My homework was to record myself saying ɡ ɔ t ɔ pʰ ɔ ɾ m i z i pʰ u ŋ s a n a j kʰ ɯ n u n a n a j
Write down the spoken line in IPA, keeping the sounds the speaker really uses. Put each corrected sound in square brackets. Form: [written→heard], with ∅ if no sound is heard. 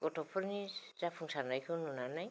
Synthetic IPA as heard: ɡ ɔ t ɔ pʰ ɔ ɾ [m→n] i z [i→a] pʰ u ŋ s a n a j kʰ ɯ n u n a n a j